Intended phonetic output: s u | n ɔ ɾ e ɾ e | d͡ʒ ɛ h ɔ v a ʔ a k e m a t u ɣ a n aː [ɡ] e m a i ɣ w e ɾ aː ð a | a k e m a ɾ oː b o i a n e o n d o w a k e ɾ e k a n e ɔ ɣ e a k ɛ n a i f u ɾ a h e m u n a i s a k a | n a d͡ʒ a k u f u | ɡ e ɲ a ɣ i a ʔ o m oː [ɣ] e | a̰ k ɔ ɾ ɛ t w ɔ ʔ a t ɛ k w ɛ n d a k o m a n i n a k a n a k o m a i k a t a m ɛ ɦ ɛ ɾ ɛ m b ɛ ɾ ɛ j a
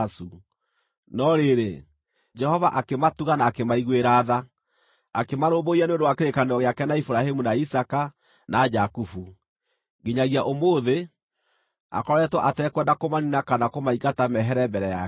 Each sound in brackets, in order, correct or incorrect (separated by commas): incorrect, incorrect